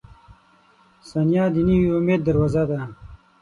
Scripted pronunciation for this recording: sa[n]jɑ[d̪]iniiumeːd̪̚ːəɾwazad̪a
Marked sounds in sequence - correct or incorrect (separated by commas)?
correct, correct